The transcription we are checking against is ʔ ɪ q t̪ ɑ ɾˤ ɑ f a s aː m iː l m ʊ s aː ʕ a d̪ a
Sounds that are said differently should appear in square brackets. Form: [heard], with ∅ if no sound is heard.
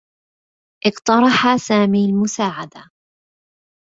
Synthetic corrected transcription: ʔ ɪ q t̪ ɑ ɾˤ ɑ [ħ] a s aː m iː l m ʊ s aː ʕ a d̪ a